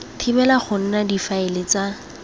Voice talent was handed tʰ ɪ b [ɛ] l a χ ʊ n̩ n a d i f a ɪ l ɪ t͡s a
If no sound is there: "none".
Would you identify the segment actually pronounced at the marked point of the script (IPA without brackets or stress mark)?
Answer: ɛ